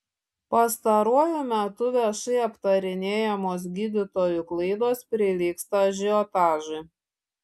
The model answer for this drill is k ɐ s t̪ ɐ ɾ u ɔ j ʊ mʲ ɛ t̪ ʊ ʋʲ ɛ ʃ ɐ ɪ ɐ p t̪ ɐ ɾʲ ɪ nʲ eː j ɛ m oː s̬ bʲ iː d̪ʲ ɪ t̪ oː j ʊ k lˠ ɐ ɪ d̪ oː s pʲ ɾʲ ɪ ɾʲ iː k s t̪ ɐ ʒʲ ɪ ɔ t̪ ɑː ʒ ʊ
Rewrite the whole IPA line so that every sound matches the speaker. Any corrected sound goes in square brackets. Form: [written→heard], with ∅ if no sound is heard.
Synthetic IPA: [k→p] ɐ s t̪ ɐ ɾ u ɔ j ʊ mʲ ɛ t̪ ʊ ʋʲ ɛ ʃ ɐ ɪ ɐ p t̪ ɐ ɾʲ ɪ nʲ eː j ɛ m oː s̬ [bʲ→ɡʲ] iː d̪ʲ ɪ t̪ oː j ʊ k lˠ ɐ ɪ d̪ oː s pʲ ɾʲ ɪ [ɾʲ→lʲ] iː k s t̪ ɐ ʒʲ ɪ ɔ t̪ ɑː ʒ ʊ